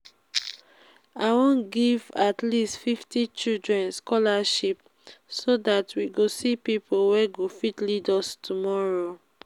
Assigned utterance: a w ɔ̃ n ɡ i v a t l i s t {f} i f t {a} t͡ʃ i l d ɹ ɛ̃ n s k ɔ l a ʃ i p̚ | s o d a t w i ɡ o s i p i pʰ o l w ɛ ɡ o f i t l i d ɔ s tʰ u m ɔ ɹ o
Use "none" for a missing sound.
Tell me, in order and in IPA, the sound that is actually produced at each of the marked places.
f, i

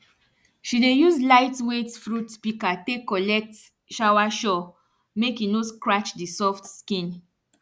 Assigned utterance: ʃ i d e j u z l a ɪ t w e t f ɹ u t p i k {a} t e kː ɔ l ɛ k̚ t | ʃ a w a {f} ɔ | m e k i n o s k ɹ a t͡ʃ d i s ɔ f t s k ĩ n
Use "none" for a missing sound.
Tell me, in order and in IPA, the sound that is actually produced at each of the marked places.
a, ʃ

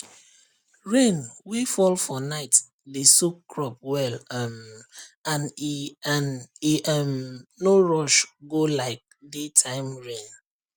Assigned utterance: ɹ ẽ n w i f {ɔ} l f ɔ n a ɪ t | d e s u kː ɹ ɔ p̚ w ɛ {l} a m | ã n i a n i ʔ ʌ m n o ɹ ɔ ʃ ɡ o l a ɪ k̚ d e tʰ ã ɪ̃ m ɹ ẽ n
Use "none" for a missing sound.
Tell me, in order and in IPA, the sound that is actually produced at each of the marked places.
ɔ, l

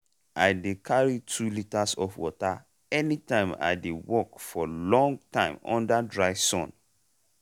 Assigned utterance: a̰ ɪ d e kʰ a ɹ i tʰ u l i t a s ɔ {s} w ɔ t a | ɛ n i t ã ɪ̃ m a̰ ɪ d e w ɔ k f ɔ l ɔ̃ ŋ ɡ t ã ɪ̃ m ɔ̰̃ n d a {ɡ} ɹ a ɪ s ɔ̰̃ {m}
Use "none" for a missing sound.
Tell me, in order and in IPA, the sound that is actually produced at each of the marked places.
f, d, n

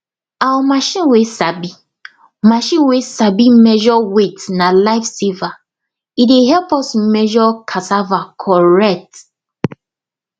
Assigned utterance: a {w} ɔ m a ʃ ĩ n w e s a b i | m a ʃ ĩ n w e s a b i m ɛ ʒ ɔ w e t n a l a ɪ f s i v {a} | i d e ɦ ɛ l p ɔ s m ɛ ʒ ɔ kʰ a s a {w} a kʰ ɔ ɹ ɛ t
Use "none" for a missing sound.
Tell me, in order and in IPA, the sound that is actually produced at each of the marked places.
w, a, v

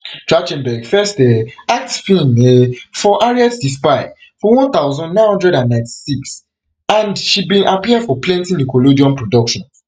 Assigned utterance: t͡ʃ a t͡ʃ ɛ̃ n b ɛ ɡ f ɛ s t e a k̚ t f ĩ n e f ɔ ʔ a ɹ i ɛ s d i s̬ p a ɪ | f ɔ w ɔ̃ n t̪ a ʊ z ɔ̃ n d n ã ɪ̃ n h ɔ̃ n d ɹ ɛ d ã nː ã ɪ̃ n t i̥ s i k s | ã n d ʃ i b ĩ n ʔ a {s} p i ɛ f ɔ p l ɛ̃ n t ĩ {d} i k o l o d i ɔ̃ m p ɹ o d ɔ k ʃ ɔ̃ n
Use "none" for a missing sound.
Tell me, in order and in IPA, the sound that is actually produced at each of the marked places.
none, n

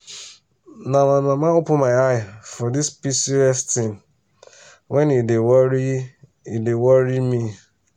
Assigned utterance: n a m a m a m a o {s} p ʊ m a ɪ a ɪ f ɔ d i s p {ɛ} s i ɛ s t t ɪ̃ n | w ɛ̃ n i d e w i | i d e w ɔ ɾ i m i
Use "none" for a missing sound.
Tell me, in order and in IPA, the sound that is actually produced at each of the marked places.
none, i

